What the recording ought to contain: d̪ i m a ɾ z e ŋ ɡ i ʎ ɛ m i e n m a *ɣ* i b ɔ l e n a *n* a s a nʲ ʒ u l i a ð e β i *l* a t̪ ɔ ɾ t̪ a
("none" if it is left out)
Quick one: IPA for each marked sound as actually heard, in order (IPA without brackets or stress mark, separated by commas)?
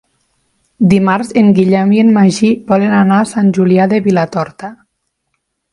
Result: ʒ, n, l